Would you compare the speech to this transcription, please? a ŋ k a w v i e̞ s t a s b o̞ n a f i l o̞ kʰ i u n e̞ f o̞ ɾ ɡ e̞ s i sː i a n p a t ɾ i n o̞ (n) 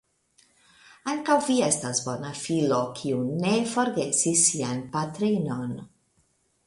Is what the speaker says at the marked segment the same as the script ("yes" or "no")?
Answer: yes